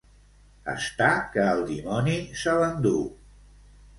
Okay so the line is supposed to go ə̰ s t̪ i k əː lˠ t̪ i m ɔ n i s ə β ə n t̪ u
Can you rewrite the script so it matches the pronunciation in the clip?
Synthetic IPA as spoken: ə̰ s t̪ a k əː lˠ d̪ i m ɔ n i s ə β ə n d̪ u

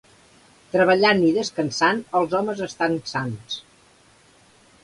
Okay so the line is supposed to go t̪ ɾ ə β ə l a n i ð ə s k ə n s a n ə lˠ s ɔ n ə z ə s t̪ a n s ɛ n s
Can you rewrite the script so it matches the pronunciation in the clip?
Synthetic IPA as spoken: t̪ ɾ ə β ə ʎ a n i ð ə s k ə n s a n ə lˠ z ɔ m ə z ə s t̪ a n s a n s

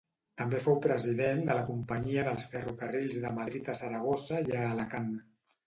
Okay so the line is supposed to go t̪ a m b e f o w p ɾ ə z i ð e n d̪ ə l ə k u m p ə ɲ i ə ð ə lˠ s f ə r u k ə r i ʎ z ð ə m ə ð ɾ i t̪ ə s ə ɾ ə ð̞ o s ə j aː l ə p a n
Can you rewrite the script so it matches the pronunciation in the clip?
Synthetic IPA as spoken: t̪ ə m b e f o w p ɾ ə z i ð e n d̪ ə l ə k u m p ə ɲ i ə ð ə lˠ s f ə r u k ə r i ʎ z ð ə m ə ð ɾ i t̪ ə s ə ɾ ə ɣ̞ o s ə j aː l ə k a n

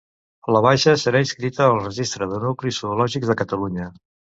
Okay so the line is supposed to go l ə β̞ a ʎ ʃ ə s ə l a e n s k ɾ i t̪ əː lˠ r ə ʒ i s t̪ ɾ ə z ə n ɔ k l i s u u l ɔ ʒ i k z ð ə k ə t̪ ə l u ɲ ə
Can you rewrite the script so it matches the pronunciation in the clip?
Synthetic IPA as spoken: l ə β̞ a j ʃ ə s ə ɾ a i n s k ɾ i t̪ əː lˠ r ə ʒ i s t̪ ɾ ə ð ə n u k l i s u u l ɔ ʒ i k z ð ə k ə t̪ ə l u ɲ ə

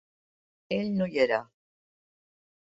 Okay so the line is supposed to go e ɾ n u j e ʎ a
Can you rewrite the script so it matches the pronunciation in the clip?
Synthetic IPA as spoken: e l n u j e ɾ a

